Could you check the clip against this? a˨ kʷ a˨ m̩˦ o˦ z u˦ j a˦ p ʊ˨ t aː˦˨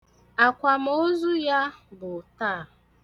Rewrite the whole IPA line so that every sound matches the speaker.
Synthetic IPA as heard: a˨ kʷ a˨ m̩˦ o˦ z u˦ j a˦ b ʊ˨ t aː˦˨